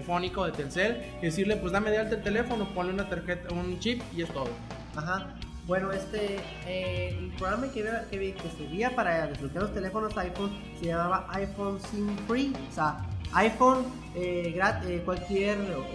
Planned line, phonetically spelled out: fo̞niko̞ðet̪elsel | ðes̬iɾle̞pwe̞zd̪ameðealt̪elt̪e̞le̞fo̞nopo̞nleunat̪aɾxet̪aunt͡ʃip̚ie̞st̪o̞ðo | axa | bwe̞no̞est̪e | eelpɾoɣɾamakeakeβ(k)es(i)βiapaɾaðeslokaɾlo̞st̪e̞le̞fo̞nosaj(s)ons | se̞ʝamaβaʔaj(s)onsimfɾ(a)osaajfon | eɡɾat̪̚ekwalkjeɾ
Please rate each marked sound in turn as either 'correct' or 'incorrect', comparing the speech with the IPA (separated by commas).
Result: correct, incorrect, incorrect, incorrect, incorrect